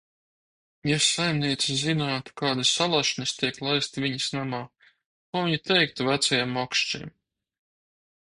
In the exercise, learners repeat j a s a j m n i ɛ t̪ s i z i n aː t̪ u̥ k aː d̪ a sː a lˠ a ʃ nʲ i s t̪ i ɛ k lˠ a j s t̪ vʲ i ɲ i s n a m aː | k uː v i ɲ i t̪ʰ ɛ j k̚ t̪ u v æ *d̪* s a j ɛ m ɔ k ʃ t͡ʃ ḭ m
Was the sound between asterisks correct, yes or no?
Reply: no